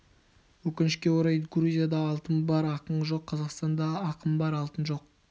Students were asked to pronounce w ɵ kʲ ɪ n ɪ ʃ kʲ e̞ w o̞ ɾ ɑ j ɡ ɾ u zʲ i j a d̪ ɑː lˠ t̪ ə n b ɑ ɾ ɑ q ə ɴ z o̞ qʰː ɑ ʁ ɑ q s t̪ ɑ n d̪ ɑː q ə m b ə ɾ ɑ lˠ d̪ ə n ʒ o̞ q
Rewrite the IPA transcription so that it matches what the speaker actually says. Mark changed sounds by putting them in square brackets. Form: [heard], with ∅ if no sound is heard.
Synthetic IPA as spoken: w ɵ kʲ ɪ n ɪ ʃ kʲ e̞ w o̞ ɾ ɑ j ɡ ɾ u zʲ i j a d̪ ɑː lˠ t̪ ə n b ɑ ɾ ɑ q ə ɴ [ʒ] o̞ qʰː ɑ [z] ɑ q s t̪ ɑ n d̪ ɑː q ə m b [ɑ] ɾ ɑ lˠ [t̪] ə n ʒ o̞ q